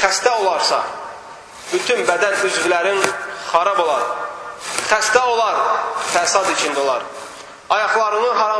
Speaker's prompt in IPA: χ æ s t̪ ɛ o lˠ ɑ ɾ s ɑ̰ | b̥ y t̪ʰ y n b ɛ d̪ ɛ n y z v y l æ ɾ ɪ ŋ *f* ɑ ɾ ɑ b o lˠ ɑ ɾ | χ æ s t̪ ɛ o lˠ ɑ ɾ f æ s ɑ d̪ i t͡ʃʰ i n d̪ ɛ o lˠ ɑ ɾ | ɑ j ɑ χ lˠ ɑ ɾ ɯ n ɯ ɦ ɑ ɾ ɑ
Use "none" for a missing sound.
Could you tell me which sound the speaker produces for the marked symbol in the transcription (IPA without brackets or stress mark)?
χ